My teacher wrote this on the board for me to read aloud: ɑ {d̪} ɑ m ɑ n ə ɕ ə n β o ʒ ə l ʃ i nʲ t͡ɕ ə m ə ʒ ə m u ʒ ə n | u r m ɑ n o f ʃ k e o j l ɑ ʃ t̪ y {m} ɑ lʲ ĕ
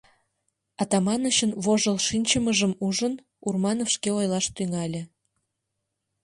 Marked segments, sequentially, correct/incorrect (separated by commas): incorrect, incorrect